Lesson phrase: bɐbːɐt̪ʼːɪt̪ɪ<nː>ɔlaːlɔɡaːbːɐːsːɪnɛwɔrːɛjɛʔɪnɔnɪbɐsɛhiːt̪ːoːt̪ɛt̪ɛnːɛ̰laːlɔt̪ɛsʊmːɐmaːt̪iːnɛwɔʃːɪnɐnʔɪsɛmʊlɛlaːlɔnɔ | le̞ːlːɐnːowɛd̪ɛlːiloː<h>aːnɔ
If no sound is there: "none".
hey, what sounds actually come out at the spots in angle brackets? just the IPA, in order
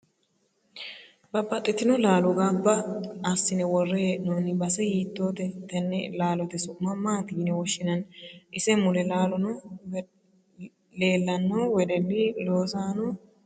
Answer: n, s

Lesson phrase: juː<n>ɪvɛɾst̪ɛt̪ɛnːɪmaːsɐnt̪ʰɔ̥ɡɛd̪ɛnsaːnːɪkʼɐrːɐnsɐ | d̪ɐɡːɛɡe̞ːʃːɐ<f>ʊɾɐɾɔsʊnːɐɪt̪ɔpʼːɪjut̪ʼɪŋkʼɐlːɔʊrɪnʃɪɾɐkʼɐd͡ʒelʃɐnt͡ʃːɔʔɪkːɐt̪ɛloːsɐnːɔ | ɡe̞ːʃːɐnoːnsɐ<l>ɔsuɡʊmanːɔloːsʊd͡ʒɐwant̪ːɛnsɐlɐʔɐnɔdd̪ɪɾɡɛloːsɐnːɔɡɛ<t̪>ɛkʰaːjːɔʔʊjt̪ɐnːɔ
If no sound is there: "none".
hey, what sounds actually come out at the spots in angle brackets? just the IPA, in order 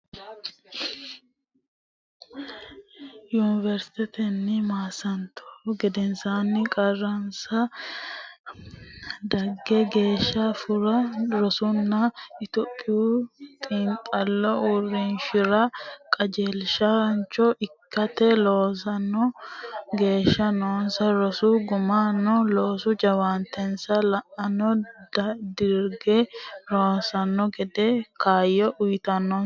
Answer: n, f, ɾ, d̪

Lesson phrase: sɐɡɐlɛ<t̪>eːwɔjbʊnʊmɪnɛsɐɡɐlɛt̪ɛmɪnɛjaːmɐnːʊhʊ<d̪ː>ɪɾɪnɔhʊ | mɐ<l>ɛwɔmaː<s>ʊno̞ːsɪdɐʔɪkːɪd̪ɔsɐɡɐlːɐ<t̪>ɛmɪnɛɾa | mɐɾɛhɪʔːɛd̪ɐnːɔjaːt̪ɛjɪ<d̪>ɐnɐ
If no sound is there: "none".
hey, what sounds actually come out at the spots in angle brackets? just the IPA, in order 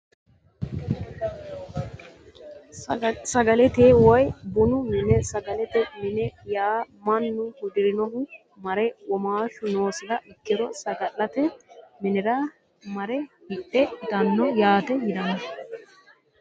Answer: t̪, d̪, ɾ, ʃ, t̪, d̪

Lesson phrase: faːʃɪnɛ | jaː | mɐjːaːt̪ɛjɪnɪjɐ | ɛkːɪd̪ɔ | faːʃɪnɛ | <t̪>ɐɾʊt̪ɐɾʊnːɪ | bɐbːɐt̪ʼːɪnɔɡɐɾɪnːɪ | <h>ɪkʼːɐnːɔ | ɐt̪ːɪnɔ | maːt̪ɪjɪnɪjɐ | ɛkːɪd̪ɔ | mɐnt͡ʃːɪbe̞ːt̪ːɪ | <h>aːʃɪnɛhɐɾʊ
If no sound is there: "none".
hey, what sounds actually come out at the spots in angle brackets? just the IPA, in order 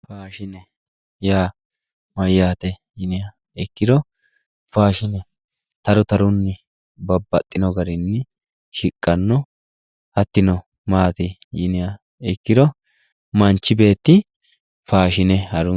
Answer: t̪, ʃ, f

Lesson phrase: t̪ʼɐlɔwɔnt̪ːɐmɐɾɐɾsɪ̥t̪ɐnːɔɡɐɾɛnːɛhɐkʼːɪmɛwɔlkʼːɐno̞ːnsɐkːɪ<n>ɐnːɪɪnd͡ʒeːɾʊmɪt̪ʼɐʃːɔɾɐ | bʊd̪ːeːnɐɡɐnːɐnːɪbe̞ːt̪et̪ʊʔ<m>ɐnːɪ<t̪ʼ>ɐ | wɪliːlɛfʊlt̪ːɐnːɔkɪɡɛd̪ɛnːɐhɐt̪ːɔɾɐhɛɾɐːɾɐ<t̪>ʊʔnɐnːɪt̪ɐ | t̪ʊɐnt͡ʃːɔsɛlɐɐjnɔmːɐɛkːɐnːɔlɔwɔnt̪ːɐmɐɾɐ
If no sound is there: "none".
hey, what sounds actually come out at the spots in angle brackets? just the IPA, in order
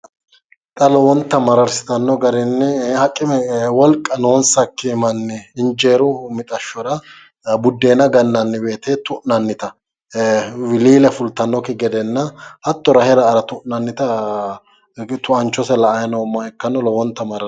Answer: m, n, t̪, t̪

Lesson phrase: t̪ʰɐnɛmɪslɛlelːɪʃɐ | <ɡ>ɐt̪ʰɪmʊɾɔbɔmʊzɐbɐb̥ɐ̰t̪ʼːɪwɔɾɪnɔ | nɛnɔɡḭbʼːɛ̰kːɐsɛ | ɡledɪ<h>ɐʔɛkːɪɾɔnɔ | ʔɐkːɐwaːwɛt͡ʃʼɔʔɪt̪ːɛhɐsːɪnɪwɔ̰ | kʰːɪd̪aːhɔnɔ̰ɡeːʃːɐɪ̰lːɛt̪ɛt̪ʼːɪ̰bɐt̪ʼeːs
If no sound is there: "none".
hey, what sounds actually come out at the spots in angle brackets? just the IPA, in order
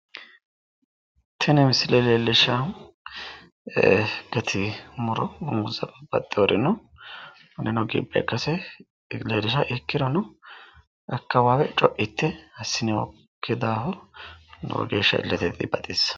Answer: ɡ, ʃ

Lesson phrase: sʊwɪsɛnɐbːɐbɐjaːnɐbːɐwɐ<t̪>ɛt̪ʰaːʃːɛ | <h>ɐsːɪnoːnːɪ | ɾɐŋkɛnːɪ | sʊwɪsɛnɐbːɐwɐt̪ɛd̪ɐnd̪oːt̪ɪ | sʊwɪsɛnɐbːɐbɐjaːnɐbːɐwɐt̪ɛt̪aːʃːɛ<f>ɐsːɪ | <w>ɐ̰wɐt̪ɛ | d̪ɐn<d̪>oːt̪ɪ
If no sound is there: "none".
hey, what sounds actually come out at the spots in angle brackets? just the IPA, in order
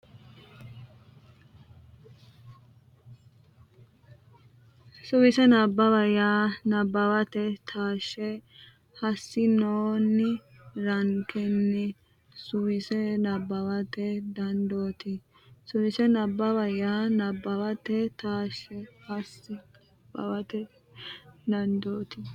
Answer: t̪, h, h, b, d̪

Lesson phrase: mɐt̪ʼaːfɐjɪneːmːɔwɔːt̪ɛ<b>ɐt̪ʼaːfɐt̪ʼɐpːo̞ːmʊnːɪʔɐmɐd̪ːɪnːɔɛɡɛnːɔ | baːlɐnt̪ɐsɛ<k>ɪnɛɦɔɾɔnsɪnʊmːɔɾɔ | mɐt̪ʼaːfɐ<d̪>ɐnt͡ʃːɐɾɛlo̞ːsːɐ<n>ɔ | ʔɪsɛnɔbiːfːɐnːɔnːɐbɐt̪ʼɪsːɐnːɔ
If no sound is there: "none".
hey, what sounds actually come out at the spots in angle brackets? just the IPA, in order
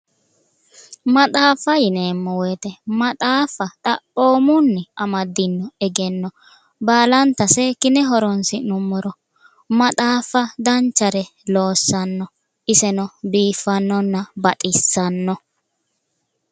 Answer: m, k, d̪, nː

